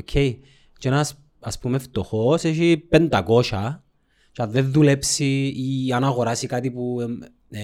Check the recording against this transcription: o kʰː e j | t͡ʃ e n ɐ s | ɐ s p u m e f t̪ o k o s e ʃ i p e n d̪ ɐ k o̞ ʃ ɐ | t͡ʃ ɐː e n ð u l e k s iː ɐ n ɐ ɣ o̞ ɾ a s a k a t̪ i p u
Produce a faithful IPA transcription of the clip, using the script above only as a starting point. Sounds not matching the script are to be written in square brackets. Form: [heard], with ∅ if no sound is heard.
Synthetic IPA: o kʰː e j | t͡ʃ e n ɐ s | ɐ s p u m e f t̪ o [x] o s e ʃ i p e n d̪ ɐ k o̞ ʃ ɐ | t͡ʃ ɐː e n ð u l e [p] s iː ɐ n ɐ ɣ o̞ ɾ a s [i] k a t̪ i p u